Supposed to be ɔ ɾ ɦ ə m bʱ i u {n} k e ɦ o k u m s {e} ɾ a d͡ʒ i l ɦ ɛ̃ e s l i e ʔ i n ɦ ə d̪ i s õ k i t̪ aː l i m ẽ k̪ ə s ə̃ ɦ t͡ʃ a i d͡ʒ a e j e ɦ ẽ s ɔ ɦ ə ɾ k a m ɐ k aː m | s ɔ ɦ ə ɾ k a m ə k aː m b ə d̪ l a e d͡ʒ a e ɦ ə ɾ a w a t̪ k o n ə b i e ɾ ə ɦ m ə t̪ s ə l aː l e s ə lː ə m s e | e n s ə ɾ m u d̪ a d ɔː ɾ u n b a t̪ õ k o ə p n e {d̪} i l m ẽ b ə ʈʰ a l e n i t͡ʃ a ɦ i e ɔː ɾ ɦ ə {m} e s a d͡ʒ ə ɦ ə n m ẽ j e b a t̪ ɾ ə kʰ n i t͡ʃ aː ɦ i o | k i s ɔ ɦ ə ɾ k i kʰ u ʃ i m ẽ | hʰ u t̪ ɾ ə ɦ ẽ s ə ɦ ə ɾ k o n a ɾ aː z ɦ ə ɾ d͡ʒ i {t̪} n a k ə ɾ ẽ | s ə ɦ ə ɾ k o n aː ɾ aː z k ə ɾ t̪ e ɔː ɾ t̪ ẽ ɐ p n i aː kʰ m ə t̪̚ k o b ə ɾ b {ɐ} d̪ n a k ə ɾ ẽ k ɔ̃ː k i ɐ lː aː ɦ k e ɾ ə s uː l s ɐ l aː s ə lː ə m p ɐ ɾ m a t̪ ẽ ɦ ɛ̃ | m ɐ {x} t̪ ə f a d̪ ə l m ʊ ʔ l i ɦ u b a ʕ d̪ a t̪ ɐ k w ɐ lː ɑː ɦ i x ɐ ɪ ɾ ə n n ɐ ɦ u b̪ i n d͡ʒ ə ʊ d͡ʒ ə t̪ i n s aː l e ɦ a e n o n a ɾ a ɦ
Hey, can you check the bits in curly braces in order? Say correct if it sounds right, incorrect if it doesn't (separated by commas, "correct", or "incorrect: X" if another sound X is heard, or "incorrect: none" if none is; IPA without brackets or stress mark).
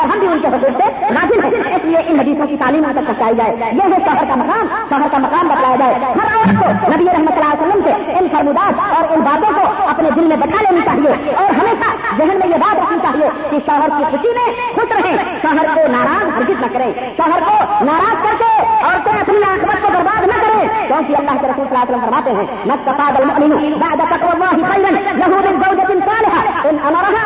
correct, correct, correct, correct, correct, incorrect: a, incorrect: s